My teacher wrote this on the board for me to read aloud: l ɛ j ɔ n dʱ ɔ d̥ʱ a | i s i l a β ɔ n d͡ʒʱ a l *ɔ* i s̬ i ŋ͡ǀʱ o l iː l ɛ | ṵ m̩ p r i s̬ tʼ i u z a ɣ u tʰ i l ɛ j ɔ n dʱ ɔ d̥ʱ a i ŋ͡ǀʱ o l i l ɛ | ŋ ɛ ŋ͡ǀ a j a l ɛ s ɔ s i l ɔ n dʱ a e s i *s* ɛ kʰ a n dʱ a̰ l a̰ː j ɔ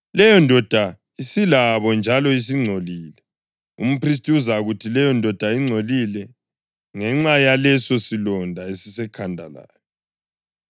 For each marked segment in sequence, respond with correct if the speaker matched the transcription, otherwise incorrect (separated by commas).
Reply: correct, correct